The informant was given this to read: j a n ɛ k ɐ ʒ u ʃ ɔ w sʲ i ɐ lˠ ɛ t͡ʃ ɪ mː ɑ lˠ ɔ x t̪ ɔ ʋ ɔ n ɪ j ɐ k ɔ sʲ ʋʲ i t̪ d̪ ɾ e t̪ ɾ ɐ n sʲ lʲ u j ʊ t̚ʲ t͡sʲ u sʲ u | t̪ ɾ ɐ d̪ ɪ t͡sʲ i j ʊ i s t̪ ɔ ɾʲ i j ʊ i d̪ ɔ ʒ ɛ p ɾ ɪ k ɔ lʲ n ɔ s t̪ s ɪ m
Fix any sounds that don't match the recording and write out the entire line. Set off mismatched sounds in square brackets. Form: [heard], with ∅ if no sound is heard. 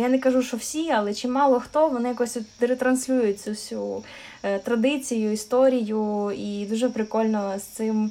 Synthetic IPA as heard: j a n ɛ k ɐ ʒ u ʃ ɔ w sʲ i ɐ lˠ ɛ t͡ʃ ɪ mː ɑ lˠ ɔ x t̪ ɔ ʋ ɔ n ɪ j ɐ k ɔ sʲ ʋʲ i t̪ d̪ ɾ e t̪ ɾ ɐ n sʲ lʲ u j ʊ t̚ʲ t͡sʲ u sʲ u | t̪ ɾ ɐ d̪ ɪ t͡sʲ i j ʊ i s t̪ ɔ ɾʲ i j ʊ i d̪ [u] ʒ ɛ p ɾ ɪ k ɔ lʲ n ɔ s t̪ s ɪ m